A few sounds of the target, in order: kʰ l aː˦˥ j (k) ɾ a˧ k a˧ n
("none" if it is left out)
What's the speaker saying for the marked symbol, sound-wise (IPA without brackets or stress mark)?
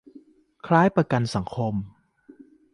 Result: p